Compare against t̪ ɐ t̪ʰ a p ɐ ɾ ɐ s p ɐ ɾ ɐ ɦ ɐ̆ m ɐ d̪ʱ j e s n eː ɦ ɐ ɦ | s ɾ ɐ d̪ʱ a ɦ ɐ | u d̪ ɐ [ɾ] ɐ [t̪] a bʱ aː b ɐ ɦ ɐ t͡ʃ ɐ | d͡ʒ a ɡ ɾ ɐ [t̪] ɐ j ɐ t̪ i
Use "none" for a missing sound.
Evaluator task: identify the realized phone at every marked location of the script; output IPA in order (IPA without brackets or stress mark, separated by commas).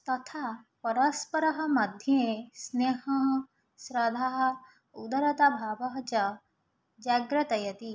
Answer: ɾ, t̪, t̪